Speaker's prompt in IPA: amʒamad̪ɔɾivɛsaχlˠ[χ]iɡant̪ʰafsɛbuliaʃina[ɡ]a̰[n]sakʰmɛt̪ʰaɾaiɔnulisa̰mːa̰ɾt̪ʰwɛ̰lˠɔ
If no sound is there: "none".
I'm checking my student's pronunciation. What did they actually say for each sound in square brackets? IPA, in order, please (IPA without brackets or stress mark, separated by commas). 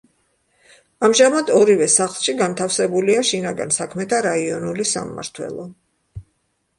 ʃ, ɡ, n